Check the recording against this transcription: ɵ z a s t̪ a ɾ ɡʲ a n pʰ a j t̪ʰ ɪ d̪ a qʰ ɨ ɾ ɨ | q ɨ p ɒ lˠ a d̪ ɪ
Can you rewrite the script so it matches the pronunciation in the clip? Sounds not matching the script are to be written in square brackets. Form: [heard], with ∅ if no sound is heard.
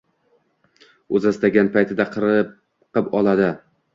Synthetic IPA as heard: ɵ z a s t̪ a [∅] ɡʲ a n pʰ a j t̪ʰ ɪ d̪ a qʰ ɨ ɾ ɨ | q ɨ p ɒ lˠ a d̪ ɪ